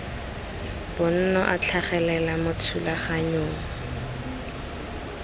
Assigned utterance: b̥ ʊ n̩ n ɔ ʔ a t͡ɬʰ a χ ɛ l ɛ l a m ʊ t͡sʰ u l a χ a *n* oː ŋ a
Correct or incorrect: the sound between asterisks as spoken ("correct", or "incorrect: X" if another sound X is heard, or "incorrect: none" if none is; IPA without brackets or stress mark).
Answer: incorrect: ɲ